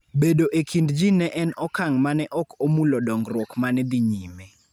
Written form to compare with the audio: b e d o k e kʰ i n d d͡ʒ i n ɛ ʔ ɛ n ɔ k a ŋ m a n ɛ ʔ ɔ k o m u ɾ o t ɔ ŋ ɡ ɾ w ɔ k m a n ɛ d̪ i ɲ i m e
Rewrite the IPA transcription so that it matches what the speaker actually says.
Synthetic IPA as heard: b e d o ʔ e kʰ i n d d͡ʒ i n ɛ ʔ ɛ n ɔ k a ŋ m a n ɛ ʔ ɔ k o m u l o d ɔ ŋ ɡ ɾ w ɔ k m a n ɛ d̪ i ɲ i m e